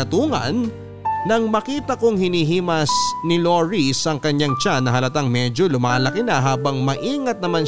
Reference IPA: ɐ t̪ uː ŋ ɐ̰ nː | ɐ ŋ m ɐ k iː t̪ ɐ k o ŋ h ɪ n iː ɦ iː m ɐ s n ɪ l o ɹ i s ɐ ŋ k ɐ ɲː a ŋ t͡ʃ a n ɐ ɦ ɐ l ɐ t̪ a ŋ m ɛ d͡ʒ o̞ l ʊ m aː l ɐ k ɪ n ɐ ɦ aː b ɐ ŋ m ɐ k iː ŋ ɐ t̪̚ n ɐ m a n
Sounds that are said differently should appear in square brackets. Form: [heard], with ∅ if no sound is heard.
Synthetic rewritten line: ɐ t̪ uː ŋ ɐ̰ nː | ɐ ŋ m ɐ k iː t̪ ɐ k o ŋ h ɪ n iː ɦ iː m ɐ s n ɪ l o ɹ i s ɐ ŋ k ɐ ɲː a ŋ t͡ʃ a n ɐ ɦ ɐ l ɐ t̪ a ŋ m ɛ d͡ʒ o̞ l ʊ m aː l ɐ k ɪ n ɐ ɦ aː b ɐ ŋ m ɐ [ʔ] iː ŋ ɐ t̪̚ n ɐ m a n